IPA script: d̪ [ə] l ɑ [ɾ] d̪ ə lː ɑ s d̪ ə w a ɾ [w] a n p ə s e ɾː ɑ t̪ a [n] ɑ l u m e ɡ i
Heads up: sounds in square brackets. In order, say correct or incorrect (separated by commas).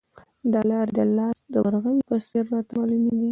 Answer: incorrect, correct, incorrect, incorrect